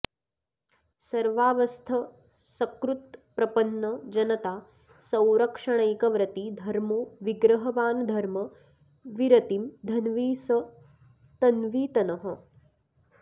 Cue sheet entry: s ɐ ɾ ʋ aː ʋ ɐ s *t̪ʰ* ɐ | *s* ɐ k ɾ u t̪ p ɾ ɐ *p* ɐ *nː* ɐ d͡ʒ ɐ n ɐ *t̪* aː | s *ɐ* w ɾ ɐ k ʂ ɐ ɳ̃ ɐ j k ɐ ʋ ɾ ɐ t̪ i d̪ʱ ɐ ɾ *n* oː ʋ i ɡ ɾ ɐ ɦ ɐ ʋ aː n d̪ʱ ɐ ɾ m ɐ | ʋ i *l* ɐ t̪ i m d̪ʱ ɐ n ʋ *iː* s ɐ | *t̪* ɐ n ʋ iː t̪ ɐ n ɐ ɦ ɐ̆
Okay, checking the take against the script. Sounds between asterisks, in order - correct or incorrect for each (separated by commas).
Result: correct, correct, correct, correct, correct, incorrect, incorrect, incorrect, correct, correct